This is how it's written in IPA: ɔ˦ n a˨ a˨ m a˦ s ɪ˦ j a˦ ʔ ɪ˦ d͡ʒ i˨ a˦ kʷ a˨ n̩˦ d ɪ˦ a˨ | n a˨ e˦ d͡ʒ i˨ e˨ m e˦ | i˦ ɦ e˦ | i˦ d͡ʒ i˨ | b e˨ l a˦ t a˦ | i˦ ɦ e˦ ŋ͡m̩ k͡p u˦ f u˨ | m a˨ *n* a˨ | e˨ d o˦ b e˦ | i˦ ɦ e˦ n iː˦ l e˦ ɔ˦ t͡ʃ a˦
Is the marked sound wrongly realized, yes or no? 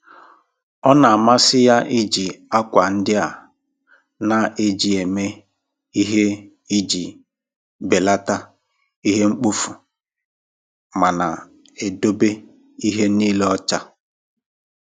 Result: no